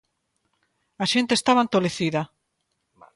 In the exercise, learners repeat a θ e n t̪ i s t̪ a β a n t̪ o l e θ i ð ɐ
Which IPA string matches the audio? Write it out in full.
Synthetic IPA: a ʃ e n t̪ e s t̪ a β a n t̪ o l e θ i ð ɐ